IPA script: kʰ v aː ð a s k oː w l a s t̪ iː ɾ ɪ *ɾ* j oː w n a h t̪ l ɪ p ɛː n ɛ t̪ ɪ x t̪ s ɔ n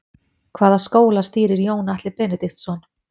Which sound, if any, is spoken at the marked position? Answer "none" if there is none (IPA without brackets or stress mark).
ɾ